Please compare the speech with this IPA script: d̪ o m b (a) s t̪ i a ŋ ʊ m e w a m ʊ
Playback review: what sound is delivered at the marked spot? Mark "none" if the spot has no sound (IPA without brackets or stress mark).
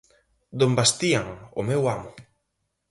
a